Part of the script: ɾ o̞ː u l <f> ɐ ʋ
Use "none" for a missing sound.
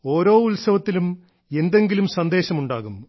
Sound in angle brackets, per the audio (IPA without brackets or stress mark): s